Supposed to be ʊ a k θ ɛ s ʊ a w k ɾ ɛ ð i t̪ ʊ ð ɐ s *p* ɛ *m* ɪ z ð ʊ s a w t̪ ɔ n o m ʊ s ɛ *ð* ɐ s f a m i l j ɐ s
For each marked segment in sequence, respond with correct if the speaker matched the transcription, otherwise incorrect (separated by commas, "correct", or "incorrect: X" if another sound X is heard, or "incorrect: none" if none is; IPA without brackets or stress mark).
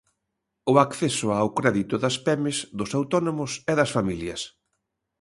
correct, correct, correct